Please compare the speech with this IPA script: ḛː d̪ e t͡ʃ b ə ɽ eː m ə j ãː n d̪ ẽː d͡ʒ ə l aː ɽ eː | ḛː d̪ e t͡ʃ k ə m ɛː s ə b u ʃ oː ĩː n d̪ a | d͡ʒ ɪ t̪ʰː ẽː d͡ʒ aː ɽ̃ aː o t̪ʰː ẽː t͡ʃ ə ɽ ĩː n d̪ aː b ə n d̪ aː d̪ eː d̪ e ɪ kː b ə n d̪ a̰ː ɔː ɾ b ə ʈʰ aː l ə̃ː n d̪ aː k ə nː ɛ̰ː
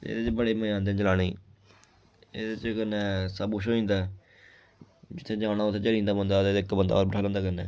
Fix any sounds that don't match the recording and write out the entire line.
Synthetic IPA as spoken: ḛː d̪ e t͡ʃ b ə ɽ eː m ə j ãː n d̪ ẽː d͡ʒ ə l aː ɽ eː | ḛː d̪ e t͡ʃ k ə n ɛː s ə b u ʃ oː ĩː n d̪ a | d͡ʒ ɪ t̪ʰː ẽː d͡ʒ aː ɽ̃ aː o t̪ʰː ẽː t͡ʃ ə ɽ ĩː n d̪ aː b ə n d̪ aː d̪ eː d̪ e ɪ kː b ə n d̪ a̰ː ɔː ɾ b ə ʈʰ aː l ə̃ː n d̪ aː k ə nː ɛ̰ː